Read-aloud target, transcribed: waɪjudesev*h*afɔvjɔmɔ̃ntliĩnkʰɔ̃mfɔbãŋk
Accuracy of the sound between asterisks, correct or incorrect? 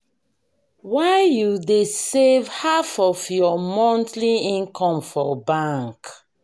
correct